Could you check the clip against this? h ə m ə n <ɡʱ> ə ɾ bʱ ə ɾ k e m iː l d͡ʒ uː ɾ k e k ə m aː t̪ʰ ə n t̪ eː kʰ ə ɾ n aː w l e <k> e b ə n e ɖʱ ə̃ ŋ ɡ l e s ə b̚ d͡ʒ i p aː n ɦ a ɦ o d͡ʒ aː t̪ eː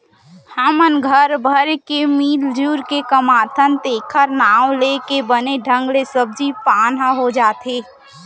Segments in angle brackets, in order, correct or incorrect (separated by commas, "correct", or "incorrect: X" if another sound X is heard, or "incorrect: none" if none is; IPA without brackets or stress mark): correct, correct